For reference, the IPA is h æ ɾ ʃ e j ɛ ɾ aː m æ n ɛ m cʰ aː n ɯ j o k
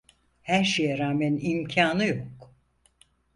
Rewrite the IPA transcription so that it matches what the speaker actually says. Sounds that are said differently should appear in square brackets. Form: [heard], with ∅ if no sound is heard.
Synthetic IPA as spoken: h æ ɾ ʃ e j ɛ ɾ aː m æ n [i] m cʰ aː n ɯ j o k